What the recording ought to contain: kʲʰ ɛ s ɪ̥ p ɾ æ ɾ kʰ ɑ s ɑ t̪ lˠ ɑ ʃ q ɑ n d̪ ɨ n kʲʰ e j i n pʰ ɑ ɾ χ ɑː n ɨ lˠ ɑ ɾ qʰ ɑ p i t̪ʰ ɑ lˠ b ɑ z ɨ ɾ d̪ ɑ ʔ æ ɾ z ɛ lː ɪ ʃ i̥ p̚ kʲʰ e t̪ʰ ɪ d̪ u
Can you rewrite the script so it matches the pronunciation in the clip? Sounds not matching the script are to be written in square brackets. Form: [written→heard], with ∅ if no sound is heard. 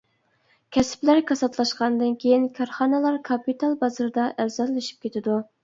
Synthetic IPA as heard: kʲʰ ɛ s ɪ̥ p [ɾ→l] æ ɾ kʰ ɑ s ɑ t̪ lˠ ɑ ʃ q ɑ n d̪ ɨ n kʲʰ e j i n [pʰ→kʰ] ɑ ɾ χ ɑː n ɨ lˠ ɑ ɾ [qʰ→kʰ] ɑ p i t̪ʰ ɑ lˠ b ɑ z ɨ ɾ d̪ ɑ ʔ æ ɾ z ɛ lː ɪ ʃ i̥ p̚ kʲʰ e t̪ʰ ɪ d̪ u